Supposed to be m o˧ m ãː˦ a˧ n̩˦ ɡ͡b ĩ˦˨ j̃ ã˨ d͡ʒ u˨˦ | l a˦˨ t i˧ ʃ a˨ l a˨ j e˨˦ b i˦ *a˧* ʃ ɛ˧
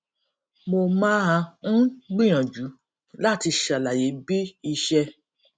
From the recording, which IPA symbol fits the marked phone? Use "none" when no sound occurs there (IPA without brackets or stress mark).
i˧